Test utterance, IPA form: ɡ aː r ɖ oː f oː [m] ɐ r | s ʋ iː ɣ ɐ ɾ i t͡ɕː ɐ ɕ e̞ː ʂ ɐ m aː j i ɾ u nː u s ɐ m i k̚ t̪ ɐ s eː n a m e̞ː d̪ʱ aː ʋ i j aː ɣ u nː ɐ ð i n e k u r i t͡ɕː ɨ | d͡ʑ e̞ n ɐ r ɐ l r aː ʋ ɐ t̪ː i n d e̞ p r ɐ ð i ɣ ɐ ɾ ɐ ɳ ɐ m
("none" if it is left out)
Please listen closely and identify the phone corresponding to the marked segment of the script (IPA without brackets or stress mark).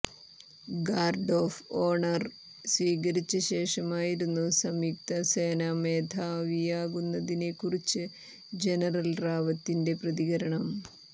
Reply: ɳ